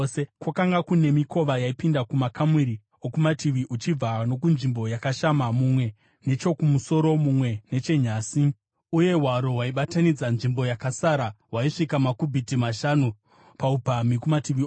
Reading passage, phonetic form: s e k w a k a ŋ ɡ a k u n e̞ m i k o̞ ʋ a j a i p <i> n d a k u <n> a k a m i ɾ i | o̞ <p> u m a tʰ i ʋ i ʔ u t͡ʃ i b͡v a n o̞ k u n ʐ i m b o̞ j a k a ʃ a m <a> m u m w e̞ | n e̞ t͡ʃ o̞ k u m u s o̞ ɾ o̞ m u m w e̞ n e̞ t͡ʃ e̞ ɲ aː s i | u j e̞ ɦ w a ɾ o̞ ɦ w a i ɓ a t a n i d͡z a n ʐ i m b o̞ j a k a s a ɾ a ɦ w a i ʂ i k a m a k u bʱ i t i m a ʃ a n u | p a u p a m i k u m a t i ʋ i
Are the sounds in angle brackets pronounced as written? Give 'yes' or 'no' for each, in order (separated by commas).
yes, no, no, yes